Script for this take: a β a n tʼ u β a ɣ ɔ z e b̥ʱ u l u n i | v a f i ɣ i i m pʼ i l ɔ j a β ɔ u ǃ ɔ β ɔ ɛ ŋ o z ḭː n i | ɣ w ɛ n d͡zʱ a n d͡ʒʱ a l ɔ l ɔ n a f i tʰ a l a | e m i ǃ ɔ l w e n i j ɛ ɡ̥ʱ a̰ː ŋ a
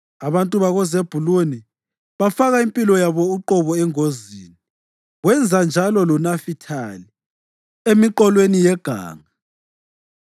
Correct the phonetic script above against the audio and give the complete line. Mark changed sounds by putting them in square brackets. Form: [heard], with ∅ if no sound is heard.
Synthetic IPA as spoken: a β a n tʼ u β a ɣ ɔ z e b̥ʱ u l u n i | [β] a f [a] ɣ [a] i m pʼ i l ɔ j a β ɔ u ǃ ɔ β ɔ ɛ ŋ o z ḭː n i | ɣ w ɛ n d͡zʱ a n d͡ʒʱ a l ɔ l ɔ n a f i tʰ a l [i] | e m i ǃ ɔ l w e n i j ɛ ɡ̥ʱ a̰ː ŋ a